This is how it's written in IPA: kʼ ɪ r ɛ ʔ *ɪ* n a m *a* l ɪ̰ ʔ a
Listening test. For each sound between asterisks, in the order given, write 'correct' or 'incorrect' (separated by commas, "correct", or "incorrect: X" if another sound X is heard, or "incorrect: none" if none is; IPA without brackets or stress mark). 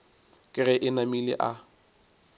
correct, incorrect: i